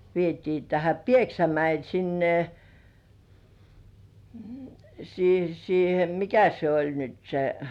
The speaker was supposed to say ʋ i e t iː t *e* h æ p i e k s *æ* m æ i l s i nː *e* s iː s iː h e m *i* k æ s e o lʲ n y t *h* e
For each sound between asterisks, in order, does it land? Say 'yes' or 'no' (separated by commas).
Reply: no, yes, yes, yes, no